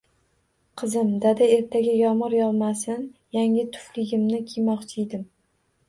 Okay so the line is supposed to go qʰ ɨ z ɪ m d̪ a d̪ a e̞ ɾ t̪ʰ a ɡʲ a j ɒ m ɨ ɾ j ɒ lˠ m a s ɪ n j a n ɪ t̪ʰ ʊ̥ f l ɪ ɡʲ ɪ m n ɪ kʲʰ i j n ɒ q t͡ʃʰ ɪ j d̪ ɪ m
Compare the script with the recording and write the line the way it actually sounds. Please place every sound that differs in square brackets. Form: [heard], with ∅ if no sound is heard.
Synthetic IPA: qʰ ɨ z ɪ m d̪ a d̪ a e̞ ɾ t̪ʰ a ɡʲ a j ɒ m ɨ ɾ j ɒ lˠ m a s ɪ n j a [ŋ] ɪ t̪ʰ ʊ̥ f l ɪ ɡʲ ɪ m n ɪ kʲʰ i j [m] ɒ q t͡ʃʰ ɪ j d̪ ɪ m